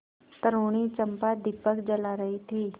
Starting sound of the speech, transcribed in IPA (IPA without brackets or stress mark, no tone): t̪